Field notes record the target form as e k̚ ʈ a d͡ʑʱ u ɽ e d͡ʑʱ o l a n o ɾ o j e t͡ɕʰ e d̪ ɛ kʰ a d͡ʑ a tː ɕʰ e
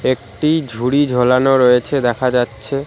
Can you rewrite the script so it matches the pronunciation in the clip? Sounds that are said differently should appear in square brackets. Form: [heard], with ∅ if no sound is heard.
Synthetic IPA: e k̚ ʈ [i] d͡ʑʱ u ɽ [i] d͡ʑʱ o l a n o ɾ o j e t͡ɕʰ e d̪ ɛ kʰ a d͡ʑ a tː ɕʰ e